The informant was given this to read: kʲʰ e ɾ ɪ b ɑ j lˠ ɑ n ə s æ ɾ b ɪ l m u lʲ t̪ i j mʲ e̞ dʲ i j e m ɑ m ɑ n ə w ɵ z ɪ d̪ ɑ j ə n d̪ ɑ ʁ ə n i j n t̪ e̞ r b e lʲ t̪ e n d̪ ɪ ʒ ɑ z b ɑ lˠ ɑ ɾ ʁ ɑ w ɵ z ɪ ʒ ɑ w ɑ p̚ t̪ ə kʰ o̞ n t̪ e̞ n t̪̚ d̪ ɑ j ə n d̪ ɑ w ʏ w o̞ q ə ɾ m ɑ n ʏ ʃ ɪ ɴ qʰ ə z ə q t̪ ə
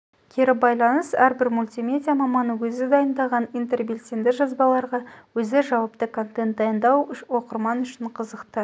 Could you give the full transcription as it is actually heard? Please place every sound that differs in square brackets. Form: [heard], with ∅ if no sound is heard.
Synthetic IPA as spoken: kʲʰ e ɾ ɪ b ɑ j lˠ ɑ n ə s æ ɾ b ɪ [ɾ] m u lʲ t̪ i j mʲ e̞ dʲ i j [a] m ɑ m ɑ n ə w ɵ z ɪ d̪ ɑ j ə n d̪ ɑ ʁ [ɑ] n i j n t̪ e̞ r b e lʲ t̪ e n d̪ ɪ ʒ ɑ z b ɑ lˠ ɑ ɾ ʁ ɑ w ɵ z ɪ ʒ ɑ w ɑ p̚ t̪ ə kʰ o̞ n t̪ e̞ n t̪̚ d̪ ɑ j ə n d̪ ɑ w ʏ w o̞ q ə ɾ m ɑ n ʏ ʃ ɪ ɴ qʰ ə z ə q t̪ ə

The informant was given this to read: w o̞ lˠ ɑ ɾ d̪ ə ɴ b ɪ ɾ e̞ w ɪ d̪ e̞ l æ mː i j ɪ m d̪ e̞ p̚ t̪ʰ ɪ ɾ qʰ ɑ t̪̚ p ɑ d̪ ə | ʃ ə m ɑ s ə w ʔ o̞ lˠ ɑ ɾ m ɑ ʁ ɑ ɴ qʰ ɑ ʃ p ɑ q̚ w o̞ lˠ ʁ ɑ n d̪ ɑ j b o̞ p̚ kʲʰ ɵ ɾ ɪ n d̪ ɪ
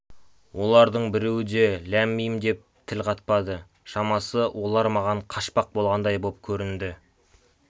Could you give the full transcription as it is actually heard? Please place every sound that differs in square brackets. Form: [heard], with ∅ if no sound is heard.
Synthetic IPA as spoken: w o̞ lˠ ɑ ɾ d̪ ə ɴ b ɪ ɾ e̞ w ɪ d̪ e̞ l æ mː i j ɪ m d̪ e̞ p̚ t̪ʰ ɪ [l] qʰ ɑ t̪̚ p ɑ d̪ ə | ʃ [ɑ] m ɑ s ə w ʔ o̞ lˠ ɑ ɾ m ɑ ʁ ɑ ɴ qʰ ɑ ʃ p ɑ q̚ [b] o̞ lˠ ʁ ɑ n d̪ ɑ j b o̞ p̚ kʲʰ ɵ ɾ ɪ n d̪ ɪ

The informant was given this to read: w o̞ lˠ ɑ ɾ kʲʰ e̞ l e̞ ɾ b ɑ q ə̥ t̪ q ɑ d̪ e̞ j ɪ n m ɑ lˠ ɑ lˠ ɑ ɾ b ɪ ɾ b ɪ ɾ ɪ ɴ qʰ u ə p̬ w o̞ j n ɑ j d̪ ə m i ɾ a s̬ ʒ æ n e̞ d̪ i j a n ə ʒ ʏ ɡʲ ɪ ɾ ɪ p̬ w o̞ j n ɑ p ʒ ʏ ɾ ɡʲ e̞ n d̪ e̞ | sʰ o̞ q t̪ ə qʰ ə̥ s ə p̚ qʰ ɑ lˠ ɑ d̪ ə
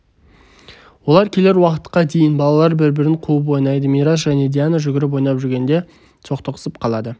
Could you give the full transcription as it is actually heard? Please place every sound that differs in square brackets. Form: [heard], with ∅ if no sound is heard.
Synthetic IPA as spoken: w o̞ lˠ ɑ ɾ kʲʰ e̞ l e̞ ɾ [w] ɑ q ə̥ t̪ q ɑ d̪ e̞ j ɪ n [b] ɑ lˠ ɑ lˠ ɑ ɾ b ɪ ɾ b ɪ ɾ ɪ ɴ qʰ u ə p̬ w o̞ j n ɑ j d̪ ə m i ɾ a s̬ ʒ æ n e̞ d̪ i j a n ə ʒ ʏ ɡʲ ɪ ɾ ɪ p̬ w o̞ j n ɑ p ʒ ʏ ɾ ɡʲ e̞ n d̪ e̞ | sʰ o̞ q t̪ ə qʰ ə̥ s ə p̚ qʰ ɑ lˠ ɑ d̪ ə

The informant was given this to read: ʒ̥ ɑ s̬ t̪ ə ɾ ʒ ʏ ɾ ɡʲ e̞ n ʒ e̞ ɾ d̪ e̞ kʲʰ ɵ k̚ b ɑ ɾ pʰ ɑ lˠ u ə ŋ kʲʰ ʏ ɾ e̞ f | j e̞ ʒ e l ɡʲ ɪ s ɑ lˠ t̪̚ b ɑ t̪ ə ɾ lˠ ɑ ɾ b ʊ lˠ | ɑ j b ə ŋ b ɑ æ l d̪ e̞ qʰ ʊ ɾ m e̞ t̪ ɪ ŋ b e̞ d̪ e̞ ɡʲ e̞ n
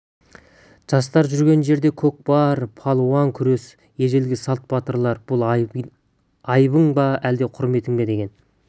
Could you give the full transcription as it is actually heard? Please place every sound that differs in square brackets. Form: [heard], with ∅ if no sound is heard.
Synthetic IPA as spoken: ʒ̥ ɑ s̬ t̪ [ɑ] ɾ ʒ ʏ ɾ ɡʲ e̞ n ʒ e̞ ɾ d̪ e̞ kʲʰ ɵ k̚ b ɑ ɾ pʰ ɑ lˠ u [ɑ] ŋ kʲʰ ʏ ɾ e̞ [s] | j e̞ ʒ e l ɡʲ ɪ s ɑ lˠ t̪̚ b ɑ t̪ ə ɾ lˠ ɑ ɾ b ʊ lˠ | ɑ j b ə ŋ b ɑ æ l d̪ e̞ qʰ ʊ ɾ m e̞ t̪ ɪ ŋ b e̞ d̪ e̞ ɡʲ e̞ n

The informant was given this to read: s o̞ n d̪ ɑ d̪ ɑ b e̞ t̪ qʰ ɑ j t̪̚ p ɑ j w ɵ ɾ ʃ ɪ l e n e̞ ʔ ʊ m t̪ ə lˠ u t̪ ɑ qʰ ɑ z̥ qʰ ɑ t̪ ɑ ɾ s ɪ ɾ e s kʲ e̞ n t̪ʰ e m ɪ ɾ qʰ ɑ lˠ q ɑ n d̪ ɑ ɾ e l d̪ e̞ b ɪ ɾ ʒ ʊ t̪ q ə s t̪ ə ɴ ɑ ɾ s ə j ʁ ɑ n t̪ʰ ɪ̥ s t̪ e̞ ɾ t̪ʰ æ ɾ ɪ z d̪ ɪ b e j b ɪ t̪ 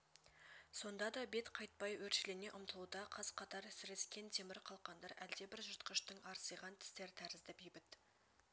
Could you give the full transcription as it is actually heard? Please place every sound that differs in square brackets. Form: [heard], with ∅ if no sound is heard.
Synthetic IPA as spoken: s o̞ n d̪ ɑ d̪ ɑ b e̞ t̪ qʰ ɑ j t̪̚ p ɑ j w ɵ ɾ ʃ ɪ l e n e̞ ʔ ʊ m t̪ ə lˠ u [d̪] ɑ qʰ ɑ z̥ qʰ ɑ t̪ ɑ ɾ s ɪ ɾ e s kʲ e̞ n t̪ʰ e m ɪ ɾ qʰ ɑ lˠ q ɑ n d̪ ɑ ɾ [æ] l d̪ e̞ b ɪ ɾ ʒ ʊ t̪ q ə [ʃ] t̪ ə ɴ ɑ ɾ s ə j ʁ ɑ n t̪ʰ ɪ̥ s t̪ e̞ ɾ t̪ʰ æ ɾ ɪ z d̪ ɪ b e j b ɪ t̪

